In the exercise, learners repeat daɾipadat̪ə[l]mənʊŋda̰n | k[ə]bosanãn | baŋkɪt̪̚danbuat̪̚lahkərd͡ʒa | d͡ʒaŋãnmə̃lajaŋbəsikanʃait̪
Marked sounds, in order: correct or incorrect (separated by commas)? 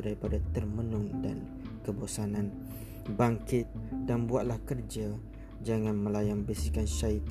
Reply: incorrect, correct